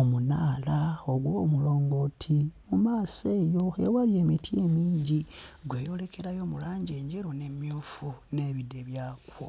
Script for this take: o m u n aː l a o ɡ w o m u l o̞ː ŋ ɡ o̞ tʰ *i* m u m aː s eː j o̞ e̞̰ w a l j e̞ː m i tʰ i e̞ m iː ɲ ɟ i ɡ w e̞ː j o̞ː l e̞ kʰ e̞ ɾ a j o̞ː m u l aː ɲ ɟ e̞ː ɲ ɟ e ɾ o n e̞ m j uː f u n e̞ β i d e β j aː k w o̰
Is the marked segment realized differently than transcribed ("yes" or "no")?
no